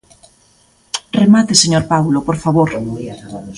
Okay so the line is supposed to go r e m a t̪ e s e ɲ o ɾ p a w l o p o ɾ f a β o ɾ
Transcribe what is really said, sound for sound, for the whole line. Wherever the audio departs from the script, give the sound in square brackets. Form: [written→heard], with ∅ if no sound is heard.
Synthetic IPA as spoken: r e m a t̪ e s e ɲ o ɾ p a w l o p o ɾ f a β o ɾ